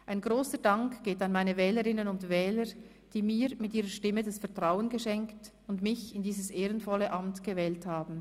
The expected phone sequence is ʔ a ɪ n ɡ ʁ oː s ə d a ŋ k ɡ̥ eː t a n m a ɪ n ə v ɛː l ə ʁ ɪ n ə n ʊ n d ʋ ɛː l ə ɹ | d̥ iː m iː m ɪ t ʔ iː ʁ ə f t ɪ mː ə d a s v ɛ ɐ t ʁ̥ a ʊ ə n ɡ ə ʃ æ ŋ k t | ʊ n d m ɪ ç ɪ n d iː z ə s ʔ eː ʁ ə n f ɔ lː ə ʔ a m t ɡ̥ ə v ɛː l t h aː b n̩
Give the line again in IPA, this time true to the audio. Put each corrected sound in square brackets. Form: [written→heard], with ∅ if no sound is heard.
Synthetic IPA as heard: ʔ a ɪ n ɡ ʁ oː s ə d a ŋ k ɡ̥ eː t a n m a ɪ n ə v ɛː l ə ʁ ɪ n ə n ʊ n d [ʋ→v] ɛː l ə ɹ | d̥ iː m iː m ɪ t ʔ iː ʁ ə [f→ʃ] t ɪ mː ə d a s [v→f] ɛ ɐ t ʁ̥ a ʊ ə n ɡ ə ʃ [æ→ɛ] ŋ k t | ʊ n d m ɪ ç ɪ n d iː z ə s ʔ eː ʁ ə n f ɔ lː ə ʔ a m t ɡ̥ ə v ɛː l t h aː b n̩